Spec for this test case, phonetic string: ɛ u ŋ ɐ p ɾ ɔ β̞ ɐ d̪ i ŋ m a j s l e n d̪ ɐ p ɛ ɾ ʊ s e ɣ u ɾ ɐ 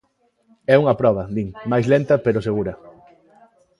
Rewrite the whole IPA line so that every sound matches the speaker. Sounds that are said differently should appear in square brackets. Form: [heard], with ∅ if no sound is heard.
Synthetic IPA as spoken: ɛ u ŋ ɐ p ɾ ɔ β̞ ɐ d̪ i ŋ m a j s l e n [t̪] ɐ p [e] ɾ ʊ s e ɣ u ɾ ɐ